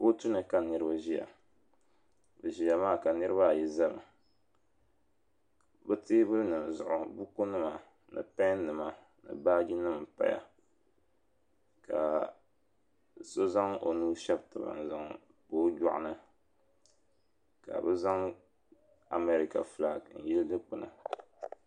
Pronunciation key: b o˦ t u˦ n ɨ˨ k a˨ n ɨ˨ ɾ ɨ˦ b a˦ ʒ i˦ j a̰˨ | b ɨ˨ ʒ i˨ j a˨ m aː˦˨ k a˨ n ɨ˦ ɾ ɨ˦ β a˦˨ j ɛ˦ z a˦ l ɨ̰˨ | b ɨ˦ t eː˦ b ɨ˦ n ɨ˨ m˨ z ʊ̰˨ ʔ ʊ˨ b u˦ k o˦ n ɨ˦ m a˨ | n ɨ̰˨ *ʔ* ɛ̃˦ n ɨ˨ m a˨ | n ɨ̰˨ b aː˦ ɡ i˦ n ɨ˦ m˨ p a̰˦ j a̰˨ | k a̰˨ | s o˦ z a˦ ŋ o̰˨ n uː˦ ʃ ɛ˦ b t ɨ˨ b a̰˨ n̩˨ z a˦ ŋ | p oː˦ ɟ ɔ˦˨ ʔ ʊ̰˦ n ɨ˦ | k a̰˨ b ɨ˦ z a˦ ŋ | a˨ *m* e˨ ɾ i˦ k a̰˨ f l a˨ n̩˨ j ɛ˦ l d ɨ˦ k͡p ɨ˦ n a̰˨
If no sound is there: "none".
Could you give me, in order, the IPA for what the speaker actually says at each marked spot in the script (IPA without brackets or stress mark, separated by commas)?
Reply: p, m